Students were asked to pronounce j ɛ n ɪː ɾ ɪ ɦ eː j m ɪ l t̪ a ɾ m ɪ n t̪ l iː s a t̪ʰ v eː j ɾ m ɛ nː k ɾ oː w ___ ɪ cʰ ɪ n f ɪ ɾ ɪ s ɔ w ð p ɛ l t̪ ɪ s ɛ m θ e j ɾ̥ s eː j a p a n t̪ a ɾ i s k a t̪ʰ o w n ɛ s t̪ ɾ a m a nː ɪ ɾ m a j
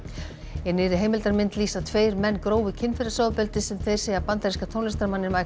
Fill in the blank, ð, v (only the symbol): v